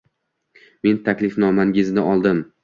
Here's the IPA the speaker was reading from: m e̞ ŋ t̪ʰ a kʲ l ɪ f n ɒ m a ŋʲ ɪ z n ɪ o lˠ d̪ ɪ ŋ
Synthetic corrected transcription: m e̞ n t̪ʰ a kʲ l ɪ f n ɒ m a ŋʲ ɪ z n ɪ ɒ lˠ d̪ ɪ m